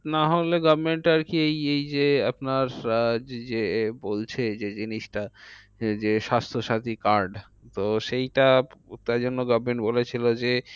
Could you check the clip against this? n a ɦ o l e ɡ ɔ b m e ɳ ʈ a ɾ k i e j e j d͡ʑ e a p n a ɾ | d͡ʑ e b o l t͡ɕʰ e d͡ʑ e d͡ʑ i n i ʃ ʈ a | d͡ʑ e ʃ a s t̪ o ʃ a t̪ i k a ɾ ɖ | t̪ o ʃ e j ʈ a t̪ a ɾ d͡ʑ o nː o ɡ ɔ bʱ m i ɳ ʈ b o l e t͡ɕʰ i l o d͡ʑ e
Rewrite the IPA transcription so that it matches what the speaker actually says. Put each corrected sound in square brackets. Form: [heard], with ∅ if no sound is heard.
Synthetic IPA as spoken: n a ɦ o l e ɡ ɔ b m e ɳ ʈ a ɾ k i e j e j d͡ʑ e a p n a ɾ | d͡ʑ e b o l t͡ɕʰ e d͡ʑ e d͡ʑ i n i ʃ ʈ a | d͡ʑ e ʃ a s [t̪ʰ] o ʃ a t̪ i k a ɾ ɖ | t̪ o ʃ e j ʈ a t̪ a ɾ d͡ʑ o nː o ɡ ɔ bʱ m [e] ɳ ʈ b o l e t͡ɕʰ i l o d͡ʑ e